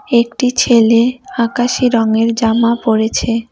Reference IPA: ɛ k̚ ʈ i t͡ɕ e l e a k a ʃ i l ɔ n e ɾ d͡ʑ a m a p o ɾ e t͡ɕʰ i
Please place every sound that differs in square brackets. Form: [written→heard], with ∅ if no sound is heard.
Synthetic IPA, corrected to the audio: [ɛ→e] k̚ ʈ i [t͡ɕ→t͡ɕʰ] e l e a k a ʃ i [l→ɾ] ɔ [n→ŋ] e ɾ d͡ʑ a m a p o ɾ e t͡ɕʰ [i→e]